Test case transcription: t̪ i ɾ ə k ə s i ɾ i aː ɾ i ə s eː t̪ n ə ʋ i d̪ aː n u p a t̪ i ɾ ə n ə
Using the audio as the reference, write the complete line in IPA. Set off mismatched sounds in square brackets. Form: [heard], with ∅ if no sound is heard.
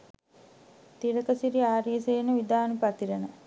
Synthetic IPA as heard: t̪ i ɾ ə k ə s i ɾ i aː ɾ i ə s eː [∅] n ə ʋ i d̪ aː n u p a t̪ i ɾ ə n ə